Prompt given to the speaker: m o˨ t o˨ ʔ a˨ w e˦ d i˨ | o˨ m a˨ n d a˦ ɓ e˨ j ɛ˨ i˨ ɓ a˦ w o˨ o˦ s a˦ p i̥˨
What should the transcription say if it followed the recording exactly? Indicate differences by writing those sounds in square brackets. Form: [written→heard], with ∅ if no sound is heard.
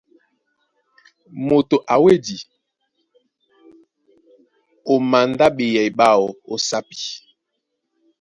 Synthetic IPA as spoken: m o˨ t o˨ ʔ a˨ w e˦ d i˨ | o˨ m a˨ n d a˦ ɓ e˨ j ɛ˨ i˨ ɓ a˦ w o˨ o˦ s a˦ p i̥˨